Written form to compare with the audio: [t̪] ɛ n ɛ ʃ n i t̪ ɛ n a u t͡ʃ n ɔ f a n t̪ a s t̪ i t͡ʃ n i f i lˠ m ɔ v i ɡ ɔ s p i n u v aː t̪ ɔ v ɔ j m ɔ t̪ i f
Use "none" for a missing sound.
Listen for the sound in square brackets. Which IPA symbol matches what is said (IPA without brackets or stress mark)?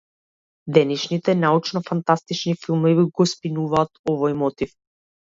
d̪